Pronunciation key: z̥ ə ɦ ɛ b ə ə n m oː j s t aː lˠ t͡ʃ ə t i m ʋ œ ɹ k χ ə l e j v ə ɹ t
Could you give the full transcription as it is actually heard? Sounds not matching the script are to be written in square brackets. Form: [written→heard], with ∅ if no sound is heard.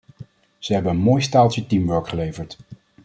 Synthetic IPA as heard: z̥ ə ɦ ɛ b ə ə n m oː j s t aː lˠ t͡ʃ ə t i m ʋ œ ɹ k χ ə l e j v ə ɹ t